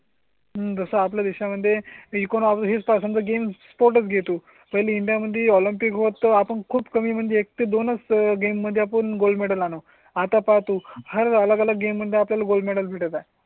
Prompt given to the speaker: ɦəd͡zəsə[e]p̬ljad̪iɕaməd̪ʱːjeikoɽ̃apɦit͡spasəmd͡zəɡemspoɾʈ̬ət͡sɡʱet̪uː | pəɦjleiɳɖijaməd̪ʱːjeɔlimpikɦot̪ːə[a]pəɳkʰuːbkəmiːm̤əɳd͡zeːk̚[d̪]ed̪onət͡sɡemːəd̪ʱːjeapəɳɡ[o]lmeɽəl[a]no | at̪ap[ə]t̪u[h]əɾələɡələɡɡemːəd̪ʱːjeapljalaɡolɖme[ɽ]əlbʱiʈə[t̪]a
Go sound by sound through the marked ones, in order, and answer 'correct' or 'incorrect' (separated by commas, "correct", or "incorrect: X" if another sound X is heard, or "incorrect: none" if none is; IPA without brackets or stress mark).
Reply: incorrect: a, correct, incorrect: t̪, correct, correct, incorrect: a, correct, correct, correct